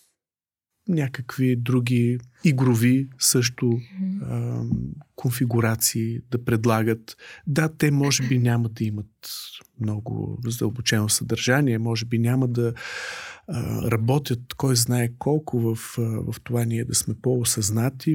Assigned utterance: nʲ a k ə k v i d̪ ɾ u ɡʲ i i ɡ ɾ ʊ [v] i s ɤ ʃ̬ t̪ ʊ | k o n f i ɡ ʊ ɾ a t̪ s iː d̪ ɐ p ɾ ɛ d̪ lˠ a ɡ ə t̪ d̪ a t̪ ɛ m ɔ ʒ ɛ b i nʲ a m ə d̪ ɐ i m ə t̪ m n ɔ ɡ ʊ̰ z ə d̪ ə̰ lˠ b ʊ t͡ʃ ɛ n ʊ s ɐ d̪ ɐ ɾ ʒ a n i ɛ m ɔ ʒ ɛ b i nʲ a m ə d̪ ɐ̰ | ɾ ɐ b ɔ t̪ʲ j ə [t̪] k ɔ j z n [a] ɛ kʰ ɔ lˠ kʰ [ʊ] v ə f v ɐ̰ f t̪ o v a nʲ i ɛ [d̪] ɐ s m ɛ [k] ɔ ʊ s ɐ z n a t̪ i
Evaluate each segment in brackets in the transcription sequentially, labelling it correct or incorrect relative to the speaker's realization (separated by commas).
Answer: correct, correct, correct, correct, correct, incorrect